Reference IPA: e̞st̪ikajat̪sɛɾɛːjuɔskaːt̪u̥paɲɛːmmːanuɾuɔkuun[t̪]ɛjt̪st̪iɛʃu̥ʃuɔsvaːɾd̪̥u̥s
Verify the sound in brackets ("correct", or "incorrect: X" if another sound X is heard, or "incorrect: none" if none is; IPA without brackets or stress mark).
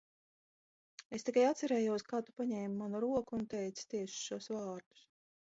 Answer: correct